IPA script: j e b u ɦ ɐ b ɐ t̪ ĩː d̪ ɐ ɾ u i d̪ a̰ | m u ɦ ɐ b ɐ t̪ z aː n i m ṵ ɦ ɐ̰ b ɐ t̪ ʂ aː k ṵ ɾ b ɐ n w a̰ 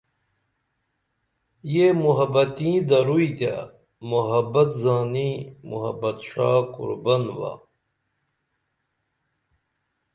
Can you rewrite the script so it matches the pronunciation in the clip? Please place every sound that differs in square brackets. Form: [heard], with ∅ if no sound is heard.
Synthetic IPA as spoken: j e [m] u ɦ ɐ b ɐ t̪ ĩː d̪ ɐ ɾ u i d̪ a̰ | m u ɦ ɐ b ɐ t̪ z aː n i m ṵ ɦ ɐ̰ b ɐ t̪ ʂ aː k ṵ ɾ b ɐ n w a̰